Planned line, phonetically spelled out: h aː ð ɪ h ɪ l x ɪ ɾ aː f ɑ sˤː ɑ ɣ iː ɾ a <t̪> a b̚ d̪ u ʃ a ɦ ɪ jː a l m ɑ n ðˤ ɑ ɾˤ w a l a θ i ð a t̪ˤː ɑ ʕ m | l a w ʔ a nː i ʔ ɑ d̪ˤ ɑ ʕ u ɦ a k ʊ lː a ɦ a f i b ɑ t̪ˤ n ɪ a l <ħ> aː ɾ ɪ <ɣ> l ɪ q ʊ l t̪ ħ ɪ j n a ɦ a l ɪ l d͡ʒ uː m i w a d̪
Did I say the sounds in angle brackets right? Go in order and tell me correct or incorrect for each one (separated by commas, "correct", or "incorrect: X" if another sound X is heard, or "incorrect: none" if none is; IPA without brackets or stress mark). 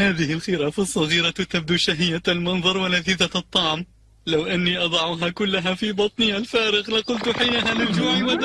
correct, incorrect: f, correct